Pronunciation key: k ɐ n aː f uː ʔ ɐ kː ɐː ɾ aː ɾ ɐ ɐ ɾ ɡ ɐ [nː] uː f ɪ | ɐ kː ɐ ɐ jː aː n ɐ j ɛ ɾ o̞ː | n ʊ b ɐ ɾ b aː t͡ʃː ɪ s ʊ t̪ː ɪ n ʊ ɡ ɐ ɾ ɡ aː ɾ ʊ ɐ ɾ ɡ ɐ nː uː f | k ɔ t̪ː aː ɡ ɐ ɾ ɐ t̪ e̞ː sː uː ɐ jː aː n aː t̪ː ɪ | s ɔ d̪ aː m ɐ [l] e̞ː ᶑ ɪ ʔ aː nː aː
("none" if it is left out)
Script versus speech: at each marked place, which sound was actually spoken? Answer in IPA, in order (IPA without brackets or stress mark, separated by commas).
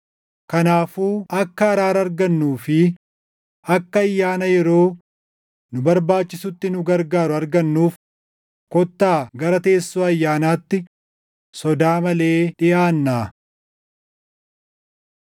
nː, l